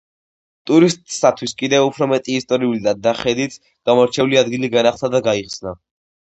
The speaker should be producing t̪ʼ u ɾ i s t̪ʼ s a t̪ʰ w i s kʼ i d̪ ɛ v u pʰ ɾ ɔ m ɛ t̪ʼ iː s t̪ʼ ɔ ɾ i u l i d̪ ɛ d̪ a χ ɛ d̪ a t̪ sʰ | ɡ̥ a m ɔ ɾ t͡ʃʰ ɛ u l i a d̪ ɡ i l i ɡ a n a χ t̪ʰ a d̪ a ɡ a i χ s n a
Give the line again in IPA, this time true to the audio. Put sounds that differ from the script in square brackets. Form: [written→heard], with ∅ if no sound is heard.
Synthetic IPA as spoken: t̪ʼ u ɾ i s t̪ʼ s a t̪ʰ w i s kʼ i d̪ ɛ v u pʰ ɾ ɔ m ɛ t̪ʼ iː s t̪ʼ ɔ ɾ i u l i d̪ [ɛ→a] d̪ a χ ɛ d̪ [a→i] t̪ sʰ | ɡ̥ a m ɔ ɾ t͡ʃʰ ɛ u l i a d̪ ɡ i l i ɡ a n a χ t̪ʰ a d̪ a ɡ a i χ s n a